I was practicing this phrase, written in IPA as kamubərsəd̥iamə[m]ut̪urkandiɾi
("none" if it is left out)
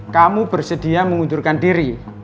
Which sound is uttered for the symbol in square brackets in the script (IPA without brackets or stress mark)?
ŋ